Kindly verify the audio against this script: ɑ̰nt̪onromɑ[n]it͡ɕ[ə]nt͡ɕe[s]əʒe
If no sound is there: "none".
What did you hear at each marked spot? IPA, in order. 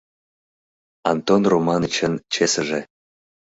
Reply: n, ə, s

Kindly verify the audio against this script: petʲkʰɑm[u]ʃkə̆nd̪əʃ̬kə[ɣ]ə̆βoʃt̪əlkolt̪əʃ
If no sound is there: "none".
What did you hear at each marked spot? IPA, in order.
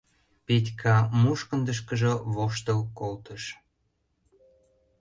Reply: u, ʒ

